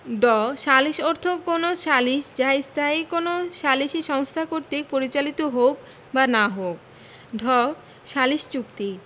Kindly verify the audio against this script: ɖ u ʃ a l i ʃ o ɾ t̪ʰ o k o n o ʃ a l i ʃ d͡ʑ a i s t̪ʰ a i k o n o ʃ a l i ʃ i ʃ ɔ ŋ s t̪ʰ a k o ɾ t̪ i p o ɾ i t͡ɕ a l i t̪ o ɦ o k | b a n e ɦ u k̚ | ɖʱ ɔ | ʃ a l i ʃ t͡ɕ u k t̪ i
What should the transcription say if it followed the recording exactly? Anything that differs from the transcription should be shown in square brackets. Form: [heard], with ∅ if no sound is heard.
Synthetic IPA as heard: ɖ [ɔ] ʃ a l i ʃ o ɾ t̪ʰ o k o n o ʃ a l i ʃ d͡ʑ a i s t̪ʰ a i k o n o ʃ a l i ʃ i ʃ ɔ ŋ s t̪ʰ a k o ɾ t̪ i p o ɾ i t͡ɕ a l i t̪ o ɦ o k | b a n [a] ɦ [o] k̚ | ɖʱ ɔ | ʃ a l i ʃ t͡ɕ u k t̪ i

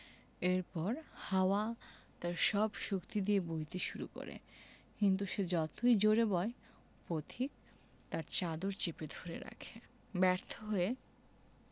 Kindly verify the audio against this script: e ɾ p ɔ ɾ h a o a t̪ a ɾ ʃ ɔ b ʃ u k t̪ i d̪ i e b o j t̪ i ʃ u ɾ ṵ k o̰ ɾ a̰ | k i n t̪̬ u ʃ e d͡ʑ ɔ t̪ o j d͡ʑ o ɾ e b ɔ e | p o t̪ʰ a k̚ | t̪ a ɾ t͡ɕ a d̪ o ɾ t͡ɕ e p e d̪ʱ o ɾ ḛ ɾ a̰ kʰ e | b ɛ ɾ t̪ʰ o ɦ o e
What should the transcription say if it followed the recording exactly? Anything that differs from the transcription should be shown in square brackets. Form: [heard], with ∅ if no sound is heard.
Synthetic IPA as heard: e ɾ p ɔ ɾ h a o a t̪ a ɾ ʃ ɔ b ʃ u k t̪ i d̪ i e b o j t̪ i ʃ u ɾ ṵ k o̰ ɾ [ḛ] | k i n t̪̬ u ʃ e d͡ʑ ɔ t̪ o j d͡ʑ o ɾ e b ɔ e | p o t̪ʰ [i] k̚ | t̪ a ɾ t͡ɕ a d̪ o ɾ t͡ɕ e p e d̪ʱ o ɾ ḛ ɾ a̰ kʰ e | b ɛ ɾ t̪ʰ o ɦ o e

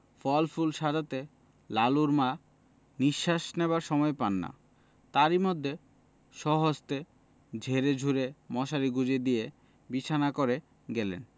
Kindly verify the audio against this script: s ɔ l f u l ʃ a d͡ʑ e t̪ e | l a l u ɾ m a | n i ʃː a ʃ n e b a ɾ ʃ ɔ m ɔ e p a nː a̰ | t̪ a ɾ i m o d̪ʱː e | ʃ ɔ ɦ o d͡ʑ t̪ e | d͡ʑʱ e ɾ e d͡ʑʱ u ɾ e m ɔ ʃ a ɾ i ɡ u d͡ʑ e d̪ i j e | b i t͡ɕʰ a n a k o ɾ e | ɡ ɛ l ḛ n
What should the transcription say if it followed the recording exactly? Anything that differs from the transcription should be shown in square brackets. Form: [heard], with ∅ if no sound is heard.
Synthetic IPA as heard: [f] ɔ l f u l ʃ a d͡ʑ [a] t̪ e | l a l u ɾ m a | n i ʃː a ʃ n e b a ɾ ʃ ɔ m ɔ e p a nː a̰ | t̪ a ɾ i m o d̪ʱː e | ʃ ɔ ɦ o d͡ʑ t̪ e | d͡ʑʱ e ɾ e d͡ʑʱ u ɾ e m ɔ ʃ a ɾ i ɡ u d͡ʑ e d̪ i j e | b i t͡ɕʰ a n a k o ɾ e | ɡ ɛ l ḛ n

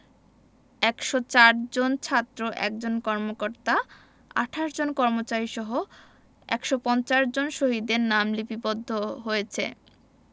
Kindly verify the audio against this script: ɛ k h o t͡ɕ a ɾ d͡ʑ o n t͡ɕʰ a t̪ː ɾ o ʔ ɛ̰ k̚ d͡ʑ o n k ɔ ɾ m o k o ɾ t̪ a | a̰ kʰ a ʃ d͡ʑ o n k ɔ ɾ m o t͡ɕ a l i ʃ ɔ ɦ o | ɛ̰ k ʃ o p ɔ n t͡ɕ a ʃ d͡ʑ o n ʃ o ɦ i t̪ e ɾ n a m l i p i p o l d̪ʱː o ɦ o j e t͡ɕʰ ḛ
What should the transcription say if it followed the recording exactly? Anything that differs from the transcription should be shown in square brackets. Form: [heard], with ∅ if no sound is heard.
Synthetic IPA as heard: ɛ k [ʃ] o t͡ɕ a ɾ d͡ʑ o n t͡ɕʰ a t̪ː ɾ o ʔ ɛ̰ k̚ d͡ʑ o n k ɔ ɾ m o k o ɾ t̪ a | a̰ [ʈʰ] a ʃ d͡ʑ o n k ɔ ɾ m o t͡ɕ a [ɾ] i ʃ ɔ ɦ o | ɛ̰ k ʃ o p ɔ n t͡ɕ a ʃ d͡ʑ o n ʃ o ɦ i [d̪] e ɾ n a m l i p i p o [∅] d̪ʱː o ɦ o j e t͡ɕʰ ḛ

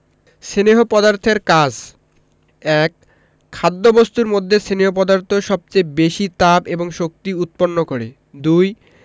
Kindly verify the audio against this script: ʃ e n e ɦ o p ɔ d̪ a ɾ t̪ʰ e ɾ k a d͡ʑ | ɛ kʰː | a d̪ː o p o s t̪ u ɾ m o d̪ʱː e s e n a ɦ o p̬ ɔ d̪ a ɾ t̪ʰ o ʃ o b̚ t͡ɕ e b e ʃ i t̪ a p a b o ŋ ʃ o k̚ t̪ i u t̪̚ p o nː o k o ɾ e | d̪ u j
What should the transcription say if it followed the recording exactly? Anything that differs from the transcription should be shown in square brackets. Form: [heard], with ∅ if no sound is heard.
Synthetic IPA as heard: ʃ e n e ɦ o p ɔ d̪ a ɾ t̪ʰ e ɾ k a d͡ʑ | ɛ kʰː | a d̪ː o [b] o s t̪ u ɾ m o d̪ʱː e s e n [e] ɦ o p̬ ɔ d̪ a ɾ t̪ʰ o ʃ [ɔ] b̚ t͡ɕ e b e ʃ i t̪ a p [e] b o ŋ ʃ o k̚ t̪ i u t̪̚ p o nː o k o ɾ e | d̪ u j

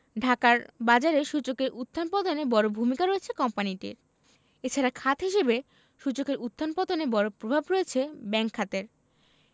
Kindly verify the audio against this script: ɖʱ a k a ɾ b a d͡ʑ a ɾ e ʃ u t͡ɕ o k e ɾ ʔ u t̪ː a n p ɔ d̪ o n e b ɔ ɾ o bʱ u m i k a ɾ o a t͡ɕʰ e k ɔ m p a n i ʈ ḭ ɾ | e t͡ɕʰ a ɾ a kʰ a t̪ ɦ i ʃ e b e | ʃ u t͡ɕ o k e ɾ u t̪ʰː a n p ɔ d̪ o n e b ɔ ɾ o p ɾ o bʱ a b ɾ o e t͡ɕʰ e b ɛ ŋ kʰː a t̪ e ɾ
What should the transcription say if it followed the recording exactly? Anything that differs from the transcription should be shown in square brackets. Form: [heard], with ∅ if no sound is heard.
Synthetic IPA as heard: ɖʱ a k a ɾ b a d͡ʑ a ɾ e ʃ u t͡ɕ o k e ɾ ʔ u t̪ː a n p ɔ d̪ o n e b ɔ ɾ o bʱ u m i k a ɾ o [e] t͡ɕʰ e k ɔ m p a n i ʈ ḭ ɾ | e t͡ɕʰ a ɾ a kʰ a t̪ ɦ i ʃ e b e | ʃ u t͡ɕ o k e ɾ u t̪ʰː a n p ɔ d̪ o n e b ɔ ɾ o p ɾ o bʱ a b ɾ o e t͡ɕʰ e b ɛ ŋ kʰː a t̪ e ɾ

